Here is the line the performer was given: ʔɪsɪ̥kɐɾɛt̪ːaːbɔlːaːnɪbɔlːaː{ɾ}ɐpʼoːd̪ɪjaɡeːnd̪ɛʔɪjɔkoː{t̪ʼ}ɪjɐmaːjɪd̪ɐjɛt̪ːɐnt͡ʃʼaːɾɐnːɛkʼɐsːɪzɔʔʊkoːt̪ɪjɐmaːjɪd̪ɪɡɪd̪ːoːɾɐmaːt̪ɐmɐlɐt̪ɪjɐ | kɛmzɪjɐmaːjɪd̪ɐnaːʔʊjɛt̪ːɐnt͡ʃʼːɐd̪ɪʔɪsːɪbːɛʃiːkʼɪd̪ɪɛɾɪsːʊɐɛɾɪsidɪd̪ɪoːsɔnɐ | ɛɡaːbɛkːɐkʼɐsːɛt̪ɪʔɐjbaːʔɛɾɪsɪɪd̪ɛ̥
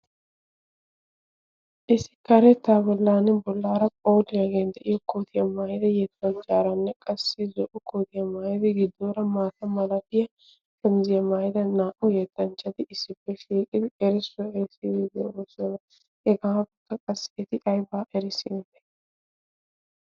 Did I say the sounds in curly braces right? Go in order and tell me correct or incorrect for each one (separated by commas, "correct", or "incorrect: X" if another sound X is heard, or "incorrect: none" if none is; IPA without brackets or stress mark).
correct, incorrect: t̪